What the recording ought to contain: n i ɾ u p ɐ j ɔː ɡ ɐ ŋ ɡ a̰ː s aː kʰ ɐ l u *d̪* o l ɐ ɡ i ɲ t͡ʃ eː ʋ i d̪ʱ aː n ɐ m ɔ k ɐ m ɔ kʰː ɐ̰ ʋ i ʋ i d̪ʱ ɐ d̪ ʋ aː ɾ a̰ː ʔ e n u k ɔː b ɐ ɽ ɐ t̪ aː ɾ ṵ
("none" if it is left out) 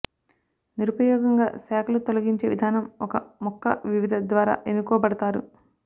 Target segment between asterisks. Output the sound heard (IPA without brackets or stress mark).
t̪